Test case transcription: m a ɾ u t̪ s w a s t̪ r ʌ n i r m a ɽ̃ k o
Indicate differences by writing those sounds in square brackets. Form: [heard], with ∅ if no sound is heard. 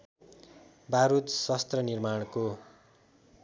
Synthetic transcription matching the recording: [b] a ɾ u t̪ s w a s t̪ r ʌ n i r m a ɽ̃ k o